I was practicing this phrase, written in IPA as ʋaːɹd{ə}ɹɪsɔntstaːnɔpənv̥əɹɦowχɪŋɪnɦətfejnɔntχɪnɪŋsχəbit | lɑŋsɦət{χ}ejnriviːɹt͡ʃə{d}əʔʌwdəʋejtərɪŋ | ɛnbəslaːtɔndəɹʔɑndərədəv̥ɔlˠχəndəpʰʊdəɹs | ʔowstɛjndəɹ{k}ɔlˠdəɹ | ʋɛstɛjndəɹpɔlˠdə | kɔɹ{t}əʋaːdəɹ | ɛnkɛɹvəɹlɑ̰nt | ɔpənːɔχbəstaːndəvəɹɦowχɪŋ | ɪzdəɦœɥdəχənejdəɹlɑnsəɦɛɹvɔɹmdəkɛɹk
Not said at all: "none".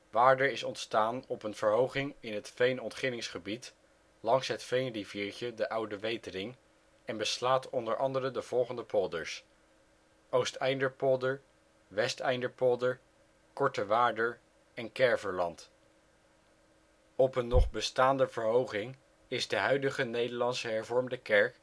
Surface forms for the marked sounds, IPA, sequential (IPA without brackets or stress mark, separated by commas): ə, f, d, p, t